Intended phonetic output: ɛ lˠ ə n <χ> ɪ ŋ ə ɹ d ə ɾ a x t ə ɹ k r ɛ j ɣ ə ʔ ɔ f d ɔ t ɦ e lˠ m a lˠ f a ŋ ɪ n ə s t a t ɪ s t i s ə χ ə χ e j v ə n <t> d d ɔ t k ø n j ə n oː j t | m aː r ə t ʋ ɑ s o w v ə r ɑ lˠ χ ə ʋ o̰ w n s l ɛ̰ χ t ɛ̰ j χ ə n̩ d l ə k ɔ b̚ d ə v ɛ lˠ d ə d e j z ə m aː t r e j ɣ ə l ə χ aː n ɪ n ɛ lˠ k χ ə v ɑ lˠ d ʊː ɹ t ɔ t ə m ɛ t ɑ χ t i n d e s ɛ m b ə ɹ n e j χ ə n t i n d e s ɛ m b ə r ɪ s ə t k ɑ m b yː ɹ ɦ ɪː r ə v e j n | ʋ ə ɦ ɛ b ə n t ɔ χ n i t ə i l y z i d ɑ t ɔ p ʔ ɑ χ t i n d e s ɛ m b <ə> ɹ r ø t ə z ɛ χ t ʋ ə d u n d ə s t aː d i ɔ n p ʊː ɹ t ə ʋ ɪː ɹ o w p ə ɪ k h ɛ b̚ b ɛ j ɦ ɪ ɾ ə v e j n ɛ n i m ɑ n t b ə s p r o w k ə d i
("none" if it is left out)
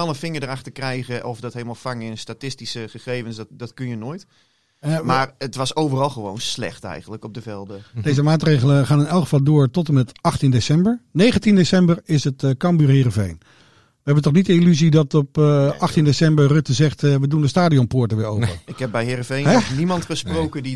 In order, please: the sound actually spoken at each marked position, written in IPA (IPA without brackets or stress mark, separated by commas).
f, s, ə